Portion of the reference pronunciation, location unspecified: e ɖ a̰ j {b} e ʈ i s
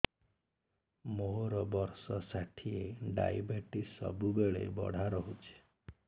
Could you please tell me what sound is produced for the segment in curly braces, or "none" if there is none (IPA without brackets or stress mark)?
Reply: b